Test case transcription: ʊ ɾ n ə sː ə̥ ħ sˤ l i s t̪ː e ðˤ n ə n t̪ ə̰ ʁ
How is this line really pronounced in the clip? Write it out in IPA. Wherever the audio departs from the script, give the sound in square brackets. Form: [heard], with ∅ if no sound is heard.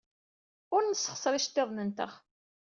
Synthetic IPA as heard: ʊ ɾ n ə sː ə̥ [χ] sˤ [ɾ] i [ʃ] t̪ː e ðˤ n ə n t̪ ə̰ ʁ